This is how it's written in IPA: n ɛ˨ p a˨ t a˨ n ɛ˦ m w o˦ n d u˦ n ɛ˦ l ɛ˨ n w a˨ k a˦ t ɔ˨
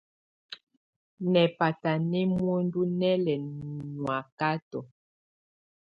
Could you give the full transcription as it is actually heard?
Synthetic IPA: n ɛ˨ p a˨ t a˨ n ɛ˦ m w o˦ n d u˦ n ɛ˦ l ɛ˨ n w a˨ k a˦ t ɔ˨